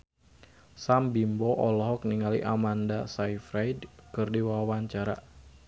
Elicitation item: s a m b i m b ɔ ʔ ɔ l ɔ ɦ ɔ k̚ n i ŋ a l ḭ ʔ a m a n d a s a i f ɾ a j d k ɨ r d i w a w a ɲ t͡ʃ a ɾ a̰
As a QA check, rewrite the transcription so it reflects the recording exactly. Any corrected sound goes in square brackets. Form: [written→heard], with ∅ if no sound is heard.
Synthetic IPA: s a m b i m b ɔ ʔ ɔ l ɔ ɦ ɔ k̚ n i ŋ a l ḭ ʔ a m a n d a s a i f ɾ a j d k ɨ r d i w a w a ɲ t͡ʃ a ɾ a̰